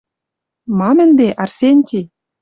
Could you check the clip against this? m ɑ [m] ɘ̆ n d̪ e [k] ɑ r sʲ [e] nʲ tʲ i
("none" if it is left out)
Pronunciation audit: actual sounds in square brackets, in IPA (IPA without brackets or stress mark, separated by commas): m, ʔ, e